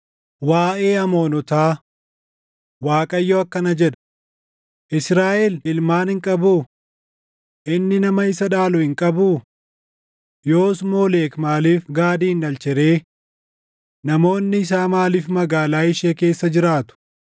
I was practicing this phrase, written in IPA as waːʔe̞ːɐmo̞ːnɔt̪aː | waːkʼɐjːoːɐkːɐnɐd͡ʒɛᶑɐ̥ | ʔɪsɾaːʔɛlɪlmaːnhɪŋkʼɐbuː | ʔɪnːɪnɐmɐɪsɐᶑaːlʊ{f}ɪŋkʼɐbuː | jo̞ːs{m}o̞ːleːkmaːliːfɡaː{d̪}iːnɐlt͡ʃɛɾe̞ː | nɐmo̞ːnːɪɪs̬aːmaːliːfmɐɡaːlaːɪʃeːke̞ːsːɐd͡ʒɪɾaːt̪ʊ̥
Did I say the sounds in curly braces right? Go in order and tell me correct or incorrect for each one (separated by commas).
incorrect, correct, correct